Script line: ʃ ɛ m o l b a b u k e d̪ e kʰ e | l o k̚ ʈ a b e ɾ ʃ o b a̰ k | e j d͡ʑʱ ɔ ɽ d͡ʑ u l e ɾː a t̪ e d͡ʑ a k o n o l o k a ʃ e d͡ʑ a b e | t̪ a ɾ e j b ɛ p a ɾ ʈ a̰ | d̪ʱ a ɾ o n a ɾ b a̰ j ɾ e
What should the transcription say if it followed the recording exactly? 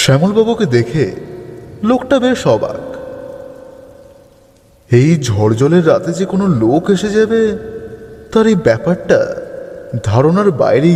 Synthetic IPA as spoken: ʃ ɛ m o l b a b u k e d̪ e kʰ e | l o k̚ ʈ a b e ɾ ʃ ɔ b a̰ k | e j d͡ʑʱ ɔ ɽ d͡ʑ ɔ l e ɾː a t̪ e d͡ʑ e k o n o l o k e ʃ e d͡ʑ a b e | t̪ a ɾ e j b ɛ p a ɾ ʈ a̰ | d̪ʱ a ɾ o n a ɾ b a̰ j ɾ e